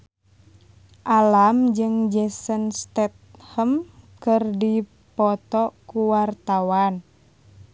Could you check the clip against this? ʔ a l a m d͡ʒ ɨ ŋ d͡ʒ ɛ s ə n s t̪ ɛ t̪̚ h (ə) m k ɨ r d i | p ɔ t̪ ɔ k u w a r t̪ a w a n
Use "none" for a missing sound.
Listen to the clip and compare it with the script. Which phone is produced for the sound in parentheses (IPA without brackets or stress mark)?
ə